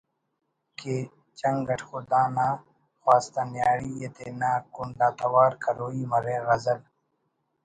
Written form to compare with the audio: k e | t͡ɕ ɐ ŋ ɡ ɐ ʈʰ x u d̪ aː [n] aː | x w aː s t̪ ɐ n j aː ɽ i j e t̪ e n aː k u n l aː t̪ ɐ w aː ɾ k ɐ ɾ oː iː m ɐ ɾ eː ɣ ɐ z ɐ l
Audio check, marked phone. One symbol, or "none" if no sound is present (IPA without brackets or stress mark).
n